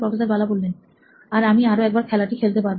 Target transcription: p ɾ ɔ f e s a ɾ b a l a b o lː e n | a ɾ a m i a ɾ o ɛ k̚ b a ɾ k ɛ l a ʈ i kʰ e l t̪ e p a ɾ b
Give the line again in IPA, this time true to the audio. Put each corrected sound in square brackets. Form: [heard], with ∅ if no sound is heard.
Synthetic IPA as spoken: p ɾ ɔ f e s a ɾ b a l a b o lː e n | a ɾ a m i a ɾ o ɛ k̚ b a ɾ [kʰ] ɛ l a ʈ i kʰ e l t̪ e p a ɾ b